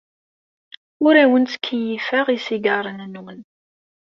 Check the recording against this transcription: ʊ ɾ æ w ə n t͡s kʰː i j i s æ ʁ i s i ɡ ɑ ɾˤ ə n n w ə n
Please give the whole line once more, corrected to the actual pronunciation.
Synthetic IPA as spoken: ʊ ɾ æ w ə n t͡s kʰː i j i f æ ʁ i s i ɡ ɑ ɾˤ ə n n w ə n